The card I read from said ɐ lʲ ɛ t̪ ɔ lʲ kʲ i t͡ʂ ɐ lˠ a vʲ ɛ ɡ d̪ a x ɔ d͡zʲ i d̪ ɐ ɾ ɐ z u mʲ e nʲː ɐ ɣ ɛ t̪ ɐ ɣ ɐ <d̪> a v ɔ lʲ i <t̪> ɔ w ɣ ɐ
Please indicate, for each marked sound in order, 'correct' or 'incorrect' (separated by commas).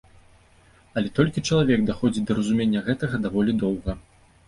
correct, incorrect